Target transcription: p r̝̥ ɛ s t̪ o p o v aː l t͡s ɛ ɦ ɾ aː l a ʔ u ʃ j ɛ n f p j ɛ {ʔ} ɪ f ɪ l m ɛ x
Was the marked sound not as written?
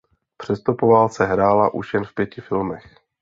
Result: yes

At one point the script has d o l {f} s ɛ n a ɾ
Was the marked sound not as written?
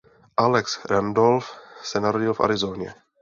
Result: no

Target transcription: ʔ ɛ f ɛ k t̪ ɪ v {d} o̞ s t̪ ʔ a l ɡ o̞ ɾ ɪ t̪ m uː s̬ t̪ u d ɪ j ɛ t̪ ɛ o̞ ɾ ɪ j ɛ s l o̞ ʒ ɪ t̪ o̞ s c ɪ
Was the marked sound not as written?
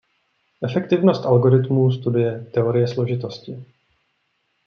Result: yes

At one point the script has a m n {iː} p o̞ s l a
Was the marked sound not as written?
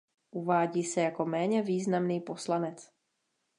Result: no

